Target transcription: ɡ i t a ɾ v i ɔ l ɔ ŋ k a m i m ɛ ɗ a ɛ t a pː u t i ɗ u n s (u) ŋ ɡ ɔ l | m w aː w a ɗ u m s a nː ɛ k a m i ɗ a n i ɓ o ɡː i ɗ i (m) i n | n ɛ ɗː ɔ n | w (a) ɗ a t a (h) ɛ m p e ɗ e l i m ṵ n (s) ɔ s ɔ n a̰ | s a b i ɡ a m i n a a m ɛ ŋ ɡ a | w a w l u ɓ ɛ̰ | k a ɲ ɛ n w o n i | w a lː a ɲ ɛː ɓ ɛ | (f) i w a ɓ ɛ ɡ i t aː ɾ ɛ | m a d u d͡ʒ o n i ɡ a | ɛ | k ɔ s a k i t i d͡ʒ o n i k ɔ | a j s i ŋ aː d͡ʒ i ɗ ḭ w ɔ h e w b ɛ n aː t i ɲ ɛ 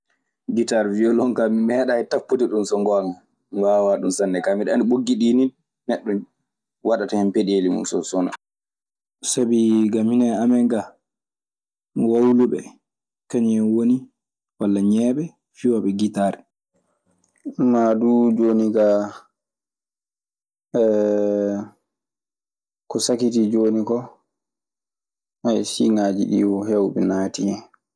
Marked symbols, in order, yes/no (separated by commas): no, no, yes, yes, yes, yes